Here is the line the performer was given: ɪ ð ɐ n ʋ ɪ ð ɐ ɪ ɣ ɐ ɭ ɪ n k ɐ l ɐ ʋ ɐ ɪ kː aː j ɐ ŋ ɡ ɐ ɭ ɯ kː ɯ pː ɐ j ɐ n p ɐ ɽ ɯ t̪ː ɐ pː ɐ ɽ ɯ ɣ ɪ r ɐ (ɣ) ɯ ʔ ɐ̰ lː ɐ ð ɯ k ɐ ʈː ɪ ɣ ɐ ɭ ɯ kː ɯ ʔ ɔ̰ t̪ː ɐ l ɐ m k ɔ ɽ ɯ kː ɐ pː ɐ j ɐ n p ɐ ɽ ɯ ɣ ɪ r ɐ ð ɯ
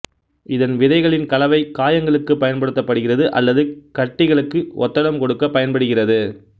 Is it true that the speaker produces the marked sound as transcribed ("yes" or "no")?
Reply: no